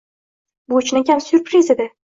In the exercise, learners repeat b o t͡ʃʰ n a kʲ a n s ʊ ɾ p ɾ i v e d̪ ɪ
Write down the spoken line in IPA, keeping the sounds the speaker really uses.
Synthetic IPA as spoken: b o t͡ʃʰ n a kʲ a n s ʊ ɾ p ɾ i z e d̪ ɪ